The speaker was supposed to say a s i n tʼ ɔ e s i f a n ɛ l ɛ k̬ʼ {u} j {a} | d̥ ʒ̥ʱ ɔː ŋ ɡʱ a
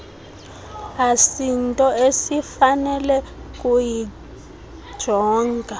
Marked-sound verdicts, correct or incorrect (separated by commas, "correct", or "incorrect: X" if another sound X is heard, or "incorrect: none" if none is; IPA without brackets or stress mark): correct, incorrect: i